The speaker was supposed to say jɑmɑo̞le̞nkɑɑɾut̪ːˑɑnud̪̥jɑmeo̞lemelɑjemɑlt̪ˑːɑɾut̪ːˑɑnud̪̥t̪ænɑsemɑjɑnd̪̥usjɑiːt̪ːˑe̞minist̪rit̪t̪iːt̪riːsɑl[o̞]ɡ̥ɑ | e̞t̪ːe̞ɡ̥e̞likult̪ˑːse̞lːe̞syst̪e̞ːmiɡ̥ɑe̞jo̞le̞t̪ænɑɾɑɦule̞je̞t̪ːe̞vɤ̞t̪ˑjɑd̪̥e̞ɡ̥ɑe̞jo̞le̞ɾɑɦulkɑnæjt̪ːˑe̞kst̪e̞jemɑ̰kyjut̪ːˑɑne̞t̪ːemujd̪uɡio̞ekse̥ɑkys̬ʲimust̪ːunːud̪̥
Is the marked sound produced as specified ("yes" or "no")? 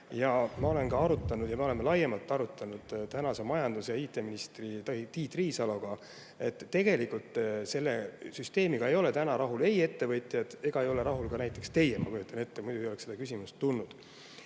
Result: yes